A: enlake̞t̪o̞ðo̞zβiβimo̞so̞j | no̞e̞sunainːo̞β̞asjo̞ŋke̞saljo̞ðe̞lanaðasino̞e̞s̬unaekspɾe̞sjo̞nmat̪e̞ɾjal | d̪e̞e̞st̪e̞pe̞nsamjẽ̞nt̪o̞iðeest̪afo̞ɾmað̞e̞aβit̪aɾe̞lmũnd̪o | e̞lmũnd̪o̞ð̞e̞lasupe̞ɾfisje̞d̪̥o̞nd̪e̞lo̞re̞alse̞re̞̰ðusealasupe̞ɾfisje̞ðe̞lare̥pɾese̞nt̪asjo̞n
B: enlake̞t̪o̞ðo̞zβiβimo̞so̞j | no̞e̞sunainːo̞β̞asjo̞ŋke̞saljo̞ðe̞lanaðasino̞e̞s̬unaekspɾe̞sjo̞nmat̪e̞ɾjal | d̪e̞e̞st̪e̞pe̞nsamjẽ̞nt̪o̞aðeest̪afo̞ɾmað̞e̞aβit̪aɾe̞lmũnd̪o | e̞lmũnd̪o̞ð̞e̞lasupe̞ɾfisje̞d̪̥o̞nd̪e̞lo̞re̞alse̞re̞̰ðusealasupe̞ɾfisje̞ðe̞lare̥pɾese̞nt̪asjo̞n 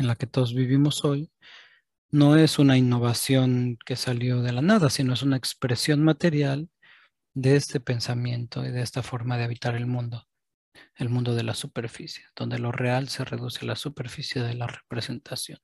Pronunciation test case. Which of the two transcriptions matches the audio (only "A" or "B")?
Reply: A